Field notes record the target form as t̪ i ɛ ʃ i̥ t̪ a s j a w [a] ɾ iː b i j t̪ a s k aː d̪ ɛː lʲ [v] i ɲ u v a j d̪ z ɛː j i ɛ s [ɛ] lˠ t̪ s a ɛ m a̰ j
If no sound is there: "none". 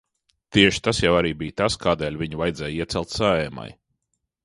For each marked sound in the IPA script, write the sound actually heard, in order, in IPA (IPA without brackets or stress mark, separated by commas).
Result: a, v, ɛ